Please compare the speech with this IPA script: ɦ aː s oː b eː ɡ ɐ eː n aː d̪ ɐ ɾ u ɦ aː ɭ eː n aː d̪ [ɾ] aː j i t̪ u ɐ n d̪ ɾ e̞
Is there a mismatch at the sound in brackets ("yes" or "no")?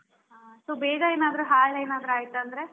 no